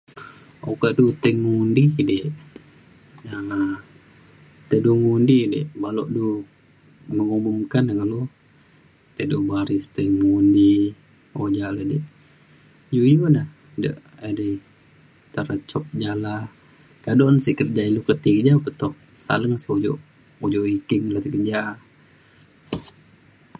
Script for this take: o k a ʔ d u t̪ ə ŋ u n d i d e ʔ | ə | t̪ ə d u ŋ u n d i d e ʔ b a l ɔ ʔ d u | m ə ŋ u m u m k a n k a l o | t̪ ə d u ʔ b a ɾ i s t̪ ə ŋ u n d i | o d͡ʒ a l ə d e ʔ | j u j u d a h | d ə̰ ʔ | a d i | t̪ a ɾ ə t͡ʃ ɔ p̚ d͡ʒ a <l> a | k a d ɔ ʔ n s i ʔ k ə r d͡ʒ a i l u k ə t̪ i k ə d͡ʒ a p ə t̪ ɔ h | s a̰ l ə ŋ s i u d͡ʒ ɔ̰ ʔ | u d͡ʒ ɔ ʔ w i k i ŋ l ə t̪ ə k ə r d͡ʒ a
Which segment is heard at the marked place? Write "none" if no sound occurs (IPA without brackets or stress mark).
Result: l